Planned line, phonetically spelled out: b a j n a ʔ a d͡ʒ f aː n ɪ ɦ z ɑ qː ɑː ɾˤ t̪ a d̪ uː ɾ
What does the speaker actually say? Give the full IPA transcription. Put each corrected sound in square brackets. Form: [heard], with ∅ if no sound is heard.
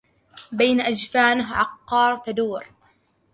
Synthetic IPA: b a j n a ʔ a d͡ʒ f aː n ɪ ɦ [ʕ] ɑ qː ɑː ɾˤ t̪ a d̪ uː ɾ